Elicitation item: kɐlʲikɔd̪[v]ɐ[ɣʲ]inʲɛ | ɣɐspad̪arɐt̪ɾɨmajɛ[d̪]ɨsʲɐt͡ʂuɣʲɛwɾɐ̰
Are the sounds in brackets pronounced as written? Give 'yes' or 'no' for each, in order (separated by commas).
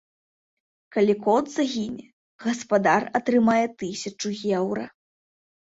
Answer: no, yes, no